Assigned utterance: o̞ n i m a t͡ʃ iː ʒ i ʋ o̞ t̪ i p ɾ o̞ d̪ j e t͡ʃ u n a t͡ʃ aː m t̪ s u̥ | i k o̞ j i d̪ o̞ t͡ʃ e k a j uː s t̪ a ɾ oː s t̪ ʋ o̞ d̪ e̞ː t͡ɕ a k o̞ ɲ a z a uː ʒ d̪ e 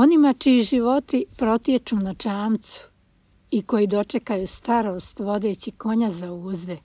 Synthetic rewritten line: o̞ n i m a t͡ʃ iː ʒ i ʋ o̞ t̪ i p ɾ o̞ t̪ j e t͡ʃ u n a t͡ʃ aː m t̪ s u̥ | i k o̞ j i d̪ o̞ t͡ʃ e k a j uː s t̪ a ɾ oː s t̪ ʋ o̞ d̪ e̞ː t͡ɕ i k o̞ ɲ a z a uː z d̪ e